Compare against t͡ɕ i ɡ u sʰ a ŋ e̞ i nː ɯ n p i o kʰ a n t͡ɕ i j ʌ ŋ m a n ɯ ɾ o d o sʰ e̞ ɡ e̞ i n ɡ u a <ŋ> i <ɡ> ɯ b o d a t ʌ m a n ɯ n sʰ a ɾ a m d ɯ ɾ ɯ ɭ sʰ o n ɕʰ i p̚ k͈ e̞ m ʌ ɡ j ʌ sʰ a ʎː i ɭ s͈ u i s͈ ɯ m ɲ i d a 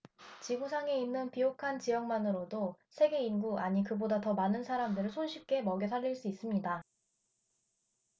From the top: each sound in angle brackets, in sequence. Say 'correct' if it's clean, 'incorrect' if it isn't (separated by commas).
incorrect, incorrect